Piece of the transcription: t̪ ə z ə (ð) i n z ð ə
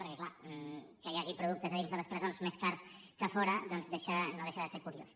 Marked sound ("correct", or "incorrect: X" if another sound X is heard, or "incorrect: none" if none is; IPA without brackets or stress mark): correct